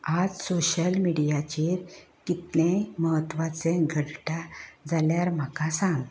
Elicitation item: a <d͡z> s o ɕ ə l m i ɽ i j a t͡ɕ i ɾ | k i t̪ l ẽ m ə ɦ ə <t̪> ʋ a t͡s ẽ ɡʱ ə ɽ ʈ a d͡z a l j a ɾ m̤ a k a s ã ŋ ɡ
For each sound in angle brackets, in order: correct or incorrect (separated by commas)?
correct, correct